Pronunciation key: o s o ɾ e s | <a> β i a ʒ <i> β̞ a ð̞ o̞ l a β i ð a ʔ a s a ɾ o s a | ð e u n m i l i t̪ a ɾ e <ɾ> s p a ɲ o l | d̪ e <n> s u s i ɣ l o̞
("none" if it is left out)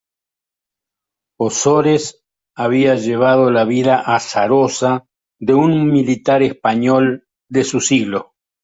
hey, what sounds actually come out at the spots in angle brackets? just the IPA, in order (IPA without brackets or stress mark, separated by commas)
a, e, none, none